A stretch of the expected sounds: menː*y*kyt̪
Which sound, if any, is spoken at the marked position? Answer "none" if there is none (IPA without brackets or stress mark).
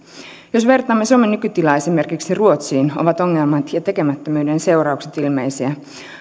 y